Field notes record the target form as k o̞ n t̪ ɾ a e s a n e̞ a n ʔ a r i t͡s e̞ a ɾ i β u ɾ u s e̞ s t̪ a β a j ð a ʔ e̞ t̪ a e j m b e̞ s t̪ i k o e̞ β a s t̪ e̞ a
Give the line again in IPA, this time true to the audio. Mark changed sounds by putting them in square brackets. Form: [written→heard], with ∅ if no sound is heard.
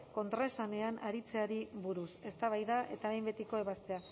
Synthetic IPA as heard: k o̞ n t̪ ɾ a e s a n e̞ a n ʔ a [r→ɾ] i t͡s e̞ a ɾ i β u ɾ u s e̞ s t̪ a β a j ð a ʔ e̞ t̪ a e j m b e̞ [s→∅] t̪ i k o e̞ β a s t̪ e̞ a